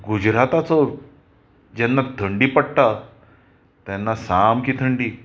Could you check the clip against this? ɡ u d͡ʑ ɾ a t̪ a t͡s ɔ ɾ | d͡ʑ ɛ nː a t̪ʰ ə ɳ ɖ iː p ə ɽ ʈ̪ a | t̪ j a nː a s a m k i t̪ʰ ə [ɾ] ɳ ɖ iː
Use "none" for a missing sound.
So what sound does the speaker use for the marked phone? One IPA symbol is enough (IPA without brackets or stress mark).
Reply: none